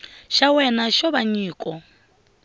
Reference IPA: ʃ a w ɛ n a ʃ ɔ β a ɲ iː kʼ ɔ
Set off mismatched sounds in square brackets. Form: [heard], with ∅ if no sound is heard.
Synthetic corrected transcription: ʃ a w ɛ n a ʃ ɔ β a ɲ iː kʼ ɔ